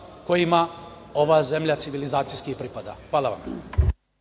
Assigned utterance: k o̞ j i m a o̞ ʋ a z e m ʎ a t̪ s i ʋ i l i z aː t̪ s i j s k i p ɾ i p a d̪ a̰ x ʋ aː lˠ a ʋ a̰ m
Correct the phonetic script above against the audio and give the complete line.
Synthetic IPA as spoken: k o̞ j i m a o̞ ʋ a z e m ʎ a t̪ s i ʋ i l i z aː t̪ s i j s k i p ɾ i p a d̪ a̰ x ʋ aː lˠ a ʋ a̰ m